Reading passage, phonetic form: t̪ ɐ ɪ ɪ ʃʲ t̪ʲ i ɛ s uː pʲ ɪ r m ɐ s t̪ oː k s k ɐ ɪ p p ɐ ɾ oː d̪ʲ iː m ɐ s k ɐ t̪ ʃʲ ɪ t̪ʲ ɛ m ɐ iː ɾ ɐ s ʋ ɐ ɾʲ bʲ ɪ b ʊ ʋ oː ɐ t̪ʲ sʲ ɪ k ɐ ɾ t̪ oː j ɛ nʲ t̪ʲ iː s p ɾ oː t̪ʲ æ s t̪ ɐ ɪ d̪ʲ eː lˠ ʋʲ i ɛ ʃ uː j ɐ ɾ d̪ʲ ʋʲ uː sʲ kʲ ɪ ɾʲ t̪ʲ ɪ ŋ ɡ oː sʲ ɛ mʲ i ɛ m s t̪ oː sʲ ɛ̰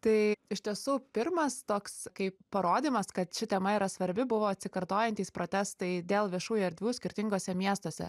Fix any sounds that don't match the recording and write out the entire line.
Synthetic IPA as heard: t̪ ɐ ɪ ɪ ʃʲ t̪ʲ i ɛ s uː pʲ ɪ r m ɐ s t̪ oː k s k ɐ ɪ p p ɐ ɾ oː d̪ʲ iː m ɐ s k ɐ t̪ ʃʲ ɪ t̪ʲ ɛ m ɐ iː ɾ ɐ s ʋ ɐ ɾʲ bʲ ɪ b ʊ ʋ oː ɐ t̪ʲ sʲ ɪ k ɐ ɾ t̪ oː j ɛ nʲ t̪ʲ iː s p ɾ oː t̪ʲ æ s t̪ ɐ ɪ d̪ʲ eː lˠ ʋʲ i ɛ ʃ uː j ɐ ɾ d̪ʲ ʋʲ uː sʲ kʲ ɪ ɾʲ t̪ʲ ɪ ŋ ɡ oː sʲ ɛ mʲ i ɛ s t̪ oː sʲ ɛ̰